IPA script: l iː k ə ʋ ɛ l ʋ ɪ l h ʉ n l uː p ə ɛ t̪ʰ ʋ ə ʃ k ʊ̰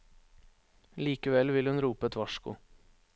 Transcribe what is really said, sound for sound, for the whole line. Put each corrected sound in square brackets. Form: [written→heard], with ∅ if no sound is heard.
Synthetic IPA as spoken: l iː k ə ʋ ɛ l ʋ ɪ l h ʉ n [l→ɾ] uː p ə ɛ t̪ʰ ʋ [ə→ɑ] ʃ k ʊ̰